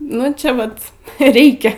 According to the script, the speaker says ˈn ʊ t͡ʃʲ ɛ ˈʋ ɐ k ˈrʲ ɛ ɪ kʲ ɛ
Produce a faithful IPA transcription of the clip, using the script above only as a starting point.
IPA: ˈn ʊ t͡ʃʲ ɛ ˈʋ ɐ t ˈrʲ ɛ ɪ kʲ ɛ